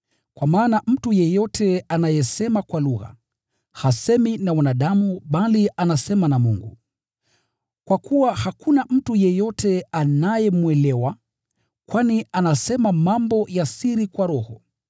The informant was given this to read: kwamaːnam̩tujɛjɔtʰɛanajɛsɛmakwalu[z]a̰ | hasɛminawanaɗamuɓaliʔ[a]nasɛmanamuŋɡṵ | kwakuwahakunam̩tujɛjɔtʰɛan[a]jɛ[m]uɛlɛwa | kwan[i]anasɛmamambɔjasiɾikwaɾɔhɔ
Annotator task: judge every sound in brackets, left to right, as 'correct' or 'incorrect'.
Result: incorrect: ɣ, correct, correct, correct, correct

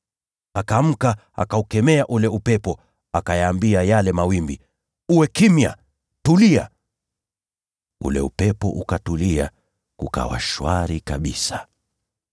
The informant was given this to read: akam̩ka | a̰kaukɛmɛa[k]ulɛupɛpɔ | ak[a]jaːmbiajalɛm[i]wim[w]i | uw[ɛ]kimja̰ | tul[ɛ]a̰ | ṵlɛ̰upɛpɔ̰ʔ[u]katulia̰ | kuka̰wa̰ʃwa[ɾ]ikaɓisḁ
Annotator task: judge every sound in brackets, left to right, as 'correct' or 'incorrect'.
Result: incorrect: ʔ, correct, incorrect: a, incorrect: b, correct, incorrect: i, correct, correct

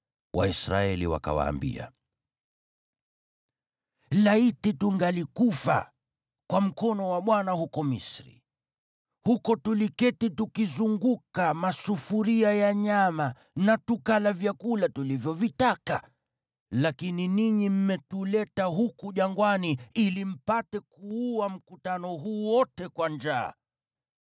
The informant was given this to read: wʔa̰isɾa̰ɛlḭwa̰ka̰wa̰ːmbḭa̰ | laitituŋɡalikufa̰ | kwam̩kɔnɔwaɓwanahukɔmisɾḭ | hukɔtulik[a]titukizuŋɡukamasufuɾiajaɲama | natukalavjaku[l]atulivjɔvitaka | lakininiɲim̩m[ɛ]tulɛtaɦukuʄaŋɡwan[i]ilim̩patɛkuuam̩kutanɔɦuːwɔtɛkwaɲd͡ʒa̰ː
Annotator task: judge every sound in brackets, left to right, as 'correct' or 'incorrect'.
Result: incorrect: ɛ, correct, correct, correct

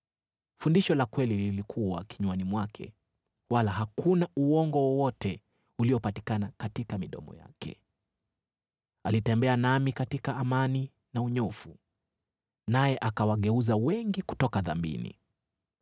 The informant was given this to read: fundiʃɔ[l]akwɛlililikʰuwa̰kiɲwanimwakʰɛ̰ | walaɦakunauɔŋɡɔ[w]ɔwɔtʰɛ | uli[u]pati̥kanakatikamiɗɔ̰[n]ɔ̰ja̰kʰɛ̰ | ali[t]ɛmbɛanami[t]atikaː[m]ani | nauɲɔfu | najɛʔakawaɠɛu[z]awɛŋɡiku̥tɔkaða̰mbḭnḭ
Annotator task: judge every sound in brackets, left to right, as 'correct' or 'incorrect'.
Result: correct, correct, incorrect: ɔ, incorrect: m, correct, incorrect: k, correct, correct

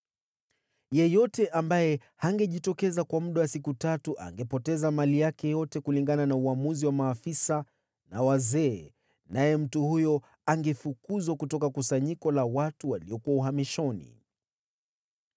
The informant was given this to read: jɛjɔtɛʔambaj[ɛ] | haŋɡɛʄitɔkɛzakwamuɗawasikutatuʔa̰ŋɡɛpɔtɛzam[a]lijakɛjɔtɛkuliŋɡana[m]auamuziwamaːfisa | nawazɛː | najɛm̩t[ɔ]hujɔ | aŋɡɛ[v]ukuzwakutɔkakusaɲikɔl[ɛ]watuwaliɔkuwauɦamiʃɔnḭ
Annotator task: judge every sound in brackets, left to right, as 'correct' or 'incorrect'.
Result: correct, correct, incorrect: n, incorrect: u, incorrect: f, incorrect: a

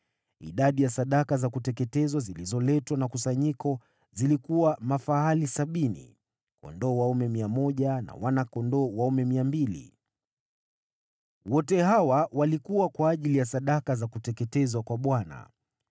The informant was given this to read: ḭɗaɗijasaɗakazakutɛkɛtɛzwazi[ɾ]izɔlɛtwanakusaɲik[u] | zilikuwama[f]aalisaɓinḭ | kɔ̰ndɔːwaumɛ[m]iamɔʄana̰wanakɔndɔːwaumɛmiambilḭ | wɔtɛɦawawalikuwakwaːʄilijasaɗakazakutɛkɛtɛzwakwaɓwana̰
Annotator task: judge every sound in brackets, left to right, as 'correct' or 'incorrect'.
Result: incorrect: l, incorrect: ɔ, correct, correct

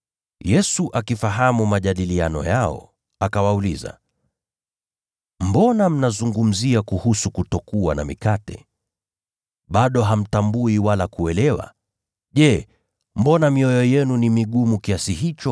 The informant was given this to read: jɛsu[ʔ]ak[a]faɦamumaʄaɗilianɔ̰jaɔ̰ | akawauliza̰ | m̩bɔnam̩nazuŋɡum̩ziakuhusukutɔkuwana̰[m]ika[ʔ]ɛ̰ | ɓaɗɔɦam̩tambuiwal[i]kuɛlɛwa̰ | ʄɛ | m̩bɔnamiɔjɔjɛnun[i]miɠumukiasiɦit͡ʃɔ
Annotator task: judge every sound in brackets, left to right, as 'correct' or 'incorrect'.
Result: correct, incorrect: i, correct, incorrect: t, incorrect: a, correct

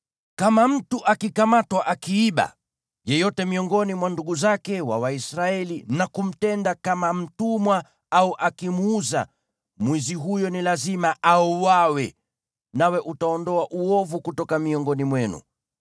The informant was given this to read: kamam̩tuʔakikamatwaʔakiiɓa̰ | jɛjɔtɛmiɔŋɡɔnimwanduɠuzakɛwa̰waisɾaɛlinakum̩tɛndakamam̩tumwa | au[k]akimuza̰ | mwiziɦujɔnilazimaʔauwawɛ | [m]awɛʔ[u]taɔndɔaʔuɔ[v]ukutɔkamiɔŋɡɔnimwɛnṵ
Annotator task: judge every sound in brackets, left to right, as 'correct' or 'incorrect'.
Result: incorrect: ʔ, incorrect: n, correct, correct

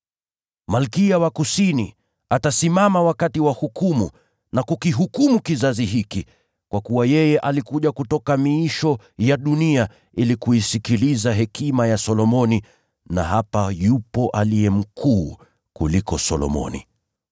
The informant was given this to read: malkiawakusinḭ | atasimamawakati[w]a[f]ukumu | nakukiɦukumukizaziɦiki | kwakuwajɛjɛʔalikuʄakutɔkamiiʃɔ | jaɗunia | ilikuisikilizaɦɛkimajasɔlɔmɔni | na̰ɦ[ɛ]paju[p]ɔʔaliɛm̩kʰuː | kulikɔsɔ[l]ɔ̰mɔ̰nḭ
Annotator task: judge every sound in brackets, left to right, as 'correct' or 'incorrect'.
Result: correct, incorrect: h, incorrect: a, correct, correct

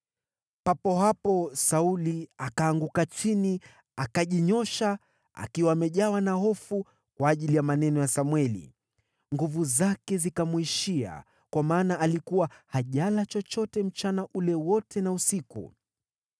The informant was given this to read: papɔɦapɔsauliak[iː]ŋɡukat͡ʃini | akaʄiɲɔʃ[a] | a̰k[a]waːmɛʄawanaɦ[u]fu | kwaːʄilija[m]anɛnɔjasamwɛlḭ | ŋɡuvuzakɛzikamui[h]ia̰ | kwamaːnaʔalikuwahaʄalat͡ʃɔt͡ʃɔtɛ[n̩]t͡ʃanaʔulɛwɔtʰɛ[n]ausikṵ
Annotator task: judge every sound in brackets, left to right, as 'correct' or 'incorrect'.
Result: incorrect: aː, correct, incorrect: i, incorrect: ɔ, correct, incorrect: ʃ, incorrect: m̩, correct

